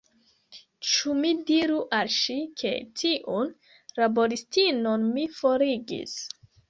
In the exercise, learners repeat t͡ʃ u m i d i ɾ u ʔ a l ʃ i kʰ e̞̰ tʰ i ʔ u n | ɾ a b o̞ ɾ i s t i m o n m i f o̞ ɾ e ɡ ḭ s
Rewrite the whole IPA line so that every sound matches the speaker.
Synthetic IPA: t͡ʃ u m i d i ɾ u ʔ a l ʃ i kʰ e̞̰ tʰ i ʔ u n | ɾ a b o̞ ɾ i s t i n o n m i f o̞ ɾ i ɡ ḭ s